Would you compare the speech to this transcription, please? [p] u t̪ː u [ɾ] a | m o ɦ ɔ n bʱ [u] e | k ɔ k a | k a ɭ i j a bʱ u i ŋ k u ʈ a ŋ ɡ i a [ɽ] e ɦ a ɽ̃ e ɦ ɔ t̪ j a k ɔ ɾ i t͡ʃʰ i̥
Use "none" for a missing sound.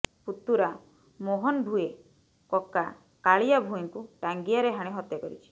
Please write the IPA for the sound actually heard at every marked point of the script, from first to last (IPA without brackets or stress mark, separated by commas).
p, ɾ, u, ɾ